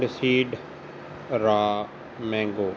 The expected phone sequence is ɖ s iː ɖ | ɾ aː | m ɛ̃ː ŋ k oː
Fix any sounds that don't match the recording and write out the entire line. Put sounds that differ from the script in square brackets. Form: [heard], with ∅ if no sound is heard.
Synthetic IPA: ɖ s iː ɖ | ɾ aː | m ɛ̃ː ŋ [ɡ] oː